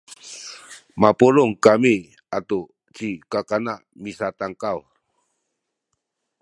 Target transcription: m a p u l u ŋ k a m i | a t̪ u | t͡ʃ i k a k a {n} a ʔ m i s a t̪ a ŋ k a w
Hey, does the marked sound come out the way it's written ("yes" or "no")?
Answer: yes